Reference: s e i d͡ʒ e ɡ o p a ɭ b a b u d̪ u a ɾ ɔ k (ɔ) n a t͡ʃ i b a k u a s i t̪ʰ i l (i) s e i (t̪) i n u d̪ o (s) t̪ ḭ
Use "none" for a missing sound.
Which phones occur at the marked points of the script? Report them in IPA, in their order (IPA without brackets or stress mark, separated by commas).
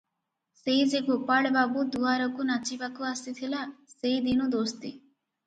u, a, d̪, s